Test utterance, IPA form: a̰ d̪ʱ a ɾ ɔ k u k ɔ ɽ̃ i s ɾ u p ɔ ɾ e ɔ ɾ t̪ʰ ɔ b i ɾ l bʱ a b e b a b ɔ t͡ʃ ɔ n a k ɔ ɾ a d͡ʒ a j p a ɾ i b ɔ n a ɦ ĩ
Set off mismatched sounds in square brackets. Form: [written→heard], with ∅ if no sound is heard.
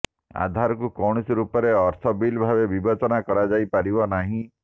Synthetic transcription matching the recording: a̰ d̪ʱ a ɾ ɔ k u k ɔ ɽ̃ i s ɾ u p ɔ ɾ e ɔ ɾ t̪ʰ ɔ b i [ɾ→∅] l bʱ a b e b [a→i] b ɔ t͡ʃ ɔ n a k ɔ ɾ a d͡ʒ a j p a ɾ i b ɔ n a ɦ ĩ